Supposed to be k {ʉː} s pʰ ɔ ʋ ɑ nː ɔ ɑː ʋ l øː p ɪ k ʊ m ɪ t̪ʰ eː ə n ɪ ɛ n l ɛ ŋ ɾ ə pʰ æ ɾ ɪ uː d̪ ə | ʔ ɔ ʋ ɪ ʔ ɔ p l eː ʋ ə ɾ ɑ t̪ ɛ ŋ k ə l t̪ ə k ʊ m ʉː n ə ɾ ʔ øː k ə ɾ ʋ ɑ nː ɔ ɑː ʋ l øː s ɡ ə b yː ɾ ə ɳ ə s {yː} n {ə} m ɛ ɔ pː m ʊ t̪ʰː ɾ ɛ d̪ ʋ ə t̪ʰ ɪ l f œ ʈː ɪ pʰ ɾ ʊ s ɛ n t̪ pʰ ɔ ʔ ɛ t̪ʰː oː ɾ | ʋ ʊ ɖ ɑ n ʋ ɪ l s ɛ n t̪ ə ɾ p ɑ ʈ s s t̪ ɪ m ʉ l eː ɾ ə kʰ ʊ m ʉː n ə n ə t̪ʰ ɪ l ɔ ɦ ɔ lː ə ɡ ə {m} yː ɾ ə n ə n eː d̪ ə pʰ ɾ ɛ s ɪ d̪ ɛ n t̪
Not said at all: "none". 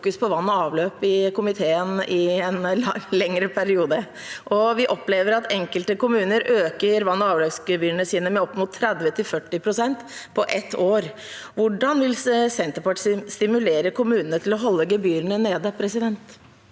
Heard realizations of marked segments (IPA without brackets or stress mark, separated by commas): ʉ, iː, ə, b